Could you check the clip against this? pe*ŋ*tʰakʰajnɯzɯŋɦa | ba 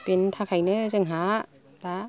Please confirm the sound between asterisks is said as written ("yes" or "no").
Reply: no